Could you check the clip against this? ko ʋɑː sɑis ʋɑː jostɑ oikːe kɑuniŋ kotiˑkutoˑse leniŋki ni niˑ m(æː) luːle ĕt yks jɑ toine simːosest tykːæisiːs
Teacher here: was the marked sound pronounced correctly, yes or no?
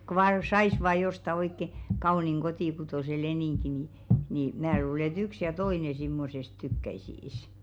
yes